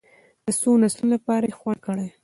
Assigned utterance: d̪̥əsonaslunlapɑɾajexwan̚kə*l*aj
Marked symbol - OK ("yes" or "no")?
no